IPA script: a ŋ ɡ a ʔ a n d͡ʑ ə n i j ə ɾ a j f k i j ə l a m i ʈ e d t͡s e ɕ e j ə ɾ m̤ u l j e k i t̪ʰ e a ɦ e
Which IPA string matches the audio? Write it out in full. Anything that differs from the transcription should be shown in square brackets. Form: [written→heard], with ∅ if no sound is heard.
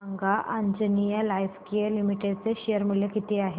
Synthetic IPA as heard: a ŋ ɡ a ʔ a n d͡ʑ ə n i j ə [ɾ→l] a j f k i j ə l [a→i] m i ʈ e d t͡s e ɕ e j ə ɾ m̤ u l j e k i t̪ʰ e a ɦ e

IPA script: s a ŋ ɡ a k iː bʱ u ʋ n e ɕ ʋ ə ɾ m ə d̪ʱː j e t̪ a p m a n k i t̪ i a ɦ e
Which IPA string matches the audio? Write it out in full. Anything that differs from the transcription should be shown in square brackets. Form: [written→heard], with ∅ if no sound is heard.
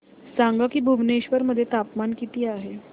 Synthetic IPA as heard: s a ŋ ɡ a k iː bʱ u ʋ n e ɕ ʋ ə ɾ m ə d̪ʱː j e t̪ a p m a n k i t̪ [i→iː] a ɦ e

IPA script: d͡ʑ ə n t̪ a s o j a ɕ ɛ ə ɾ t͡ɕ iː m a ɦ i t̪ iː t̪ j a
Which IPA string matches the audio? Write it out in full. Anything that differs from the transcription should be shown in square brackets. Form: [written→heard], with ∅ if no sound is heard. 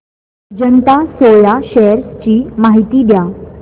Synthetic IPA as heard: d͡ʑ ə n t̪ a s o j a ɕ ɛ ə ɾ t͡ɕ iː m a ɦ i t̪ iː [t̪→d̪] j a

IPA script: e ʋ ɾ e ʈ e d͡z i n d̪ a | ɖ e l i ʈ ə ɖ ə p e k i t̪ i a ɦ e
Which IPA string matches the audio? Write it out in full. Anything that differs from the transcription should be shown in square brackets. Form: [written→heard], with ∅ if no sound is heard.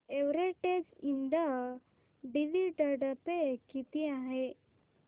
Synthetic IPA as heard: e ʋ ɾ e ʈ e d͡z i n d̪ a | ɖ [e→i] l i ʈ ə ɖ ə p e k i t̪ i a ɦ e

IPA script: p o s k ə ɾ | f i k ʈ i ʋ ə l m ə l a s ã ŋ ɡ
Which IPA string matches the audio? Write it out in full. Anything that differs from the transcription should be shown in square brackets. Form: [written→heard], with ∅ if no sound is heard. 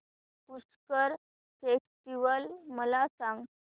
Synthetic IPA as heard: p [o→u] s k ə ɾ | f [i→e] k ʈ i ʋ ə l m ə l a s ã ŋ ɡ

